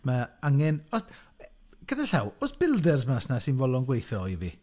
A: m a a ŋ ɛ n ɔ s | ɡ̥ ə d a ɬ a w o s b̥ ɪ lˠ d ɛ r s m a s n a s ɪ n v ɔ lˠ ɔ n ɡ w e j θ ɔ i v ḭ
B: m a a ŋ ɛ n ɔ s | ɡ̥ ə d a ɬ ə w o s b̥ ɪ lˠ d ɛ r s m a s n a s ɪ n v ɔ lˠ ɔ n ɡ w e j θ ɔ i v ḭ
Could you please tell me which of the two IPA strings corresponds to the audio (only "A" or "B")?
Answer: A